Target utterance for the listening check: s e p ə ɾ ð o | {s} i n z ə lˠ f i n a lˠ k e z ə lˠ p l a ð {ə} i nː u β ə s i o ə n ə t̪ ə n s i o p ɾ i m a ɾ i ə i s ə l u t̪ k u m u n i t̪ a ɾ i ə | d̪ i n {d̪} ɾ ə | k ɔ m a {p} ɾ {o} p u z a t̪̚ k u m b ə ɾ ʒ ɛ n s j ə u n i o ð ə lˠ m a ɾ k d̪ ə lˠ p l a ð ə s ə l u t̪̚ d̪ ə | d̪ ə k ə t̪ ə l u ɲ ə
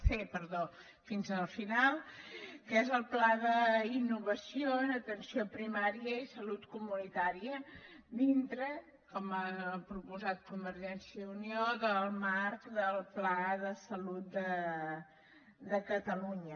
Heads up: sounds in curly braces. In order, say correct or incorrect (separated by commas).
incorrect, correct, incorrect, correct, incorrect